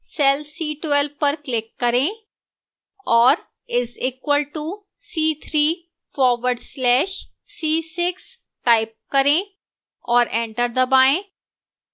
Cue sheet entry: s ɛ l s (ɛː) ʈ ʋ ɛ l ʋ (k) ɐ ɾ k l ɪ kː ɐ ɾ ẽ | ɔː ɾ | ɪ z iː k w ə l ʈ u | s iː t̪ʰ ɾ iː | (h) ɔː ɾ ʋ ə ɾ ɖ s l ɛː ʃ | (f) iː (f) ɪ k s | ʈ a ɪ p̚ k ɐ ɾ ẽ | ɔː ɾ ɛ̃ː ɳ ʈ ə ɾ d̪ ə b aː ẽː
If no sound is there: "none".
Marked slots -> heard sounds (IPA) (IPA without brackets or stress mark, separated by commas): iː, p, f, s, s